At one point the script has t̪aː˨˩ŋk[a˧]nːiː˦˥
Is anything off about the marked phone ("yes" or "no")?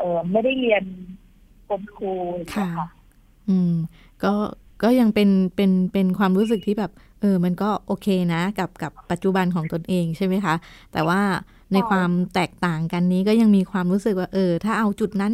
no